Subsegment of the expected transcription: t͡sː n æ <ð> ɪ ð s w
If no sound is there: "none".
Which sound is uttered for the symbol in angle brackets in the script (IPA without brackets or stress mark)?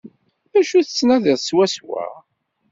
ð